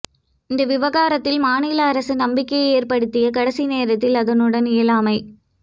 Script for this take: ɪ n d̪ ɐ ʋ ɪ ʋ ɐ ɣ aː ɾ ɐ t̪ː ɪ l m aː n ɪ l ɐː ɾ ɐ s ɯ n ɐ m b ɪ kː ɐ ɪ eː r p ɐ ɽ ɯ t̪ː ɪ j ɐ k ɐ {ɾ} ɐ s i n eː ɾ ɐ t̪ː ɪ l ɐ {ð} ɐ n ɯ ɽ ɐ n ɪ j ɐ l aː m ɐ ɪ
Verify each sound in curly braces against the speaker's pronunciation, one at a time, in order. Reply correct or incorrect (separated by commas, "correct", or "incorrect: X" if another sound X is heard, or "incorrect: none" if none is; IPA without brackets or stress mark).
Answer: incorrect: ɽ, correct